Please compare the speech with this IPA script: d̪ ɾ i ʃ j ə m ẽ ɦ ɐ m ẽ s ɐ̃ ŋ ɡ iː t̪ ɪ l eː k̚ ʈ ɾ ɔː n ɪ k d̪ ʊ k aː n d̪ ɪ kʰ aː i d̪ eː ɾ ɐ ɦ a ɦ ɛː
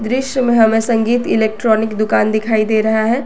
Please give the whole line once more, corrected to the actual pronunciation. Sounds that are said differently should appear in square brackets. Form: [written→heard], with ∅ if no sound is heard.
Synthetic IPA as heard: d̪ ɾ [i→ɪ] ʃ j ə m ẽ ɦ ɐ m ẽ s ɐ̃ ŋ ɡ iː t̪ ɪ l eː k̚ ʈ ɾ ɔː n ɪ k d̪ ʊ k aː n d̪ ɪ kʰ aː i d̪ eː ɾ ɐ ɦ a ɦ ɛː